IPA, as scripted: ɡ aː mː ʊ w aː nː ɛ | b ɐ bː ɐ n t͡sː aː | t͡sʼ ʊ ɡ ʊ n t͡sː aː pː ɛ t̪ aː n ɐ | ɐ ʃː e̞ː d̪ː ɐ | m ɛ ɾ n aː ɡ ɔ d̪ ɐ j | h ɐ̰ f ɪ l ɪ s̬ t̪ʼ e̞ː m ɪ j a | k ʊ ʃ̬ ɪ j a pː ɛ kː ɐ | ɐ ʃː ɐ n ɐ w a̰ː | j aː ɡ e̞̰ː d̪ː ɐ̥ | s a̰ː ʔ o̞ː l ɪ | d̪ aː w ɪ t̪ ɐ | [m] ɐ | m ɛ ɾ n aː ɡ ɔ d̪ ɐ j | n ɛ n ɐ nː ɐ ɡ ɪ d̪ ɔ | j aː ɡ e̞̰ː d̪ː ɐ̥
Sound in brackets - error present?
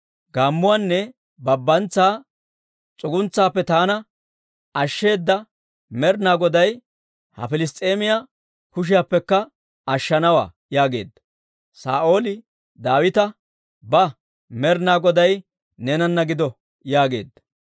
yes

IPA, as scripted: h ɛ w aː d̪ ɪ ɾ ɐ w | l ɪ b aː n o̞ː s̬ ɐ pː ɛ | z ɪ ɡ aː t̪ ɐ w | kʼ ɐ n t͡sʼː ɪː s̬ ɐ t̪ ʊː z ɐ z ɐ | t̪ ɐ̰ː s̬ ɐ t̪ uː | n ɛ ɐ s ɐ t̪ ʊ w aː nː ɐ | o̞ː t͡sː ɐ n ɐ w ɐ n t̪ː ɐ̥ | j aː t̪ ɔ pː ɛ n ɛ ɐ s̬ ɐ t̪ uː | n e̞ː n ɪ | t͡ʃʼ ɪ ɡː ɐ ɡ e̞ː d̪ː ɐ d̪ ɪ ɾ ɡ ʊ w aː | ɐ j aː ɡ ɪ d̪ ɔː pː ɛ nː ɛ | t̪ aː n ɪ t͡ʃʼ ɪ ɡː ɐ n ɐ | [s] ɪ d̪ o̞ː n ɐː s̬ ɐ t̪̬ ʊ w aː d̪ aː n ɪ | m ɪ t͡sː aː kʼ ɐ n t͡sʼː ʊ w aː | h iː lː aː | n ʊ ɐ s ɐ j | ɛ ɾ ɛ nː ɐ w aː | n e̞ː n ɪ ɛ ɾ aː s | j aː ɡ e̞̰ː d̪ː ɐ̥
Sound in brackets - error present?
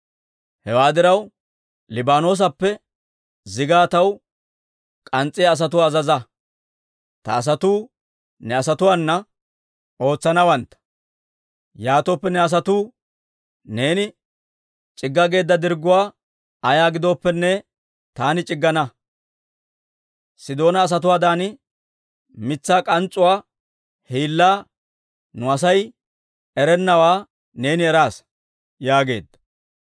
no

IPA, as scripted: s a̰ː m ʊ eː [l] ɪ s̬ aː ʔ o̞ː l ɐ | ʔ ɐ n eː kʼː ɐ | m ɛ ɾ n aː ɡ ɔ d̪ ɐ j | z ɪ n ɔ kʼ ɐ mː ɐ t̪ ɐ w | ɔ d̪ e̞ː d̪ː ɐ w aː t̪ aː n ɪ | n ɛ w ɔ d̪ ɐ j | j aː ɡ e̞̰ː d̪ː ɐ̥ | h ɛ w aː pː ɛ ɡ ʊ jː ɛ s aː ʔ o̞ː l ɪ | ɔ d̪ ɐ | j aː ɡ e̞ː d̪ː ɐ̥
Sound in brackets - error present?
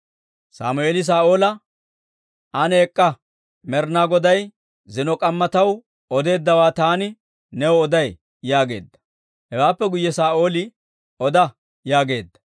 no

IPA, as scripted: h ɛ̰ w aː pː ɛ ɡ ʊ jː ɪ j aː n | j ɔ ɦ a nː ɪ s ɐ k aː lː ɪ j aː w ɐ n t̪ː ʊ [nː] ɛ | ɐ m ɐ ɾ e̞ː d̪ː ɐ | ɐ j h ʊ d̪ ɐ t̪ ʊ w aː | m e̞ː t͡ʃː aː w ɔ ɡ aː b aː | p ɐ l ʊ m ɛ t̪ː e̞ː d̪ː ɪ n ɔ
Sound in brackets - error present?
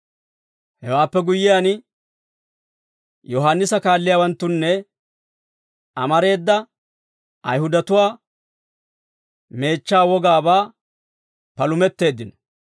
no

